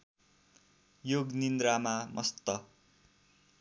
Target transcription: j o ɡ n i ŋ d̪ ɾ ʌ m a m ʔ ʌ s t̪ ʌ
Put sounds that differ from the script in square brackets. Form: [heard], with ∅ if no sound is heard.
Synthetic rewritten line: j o ɡ n i [n] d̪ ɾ [a] m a m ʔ ʌ s t̪ ʌ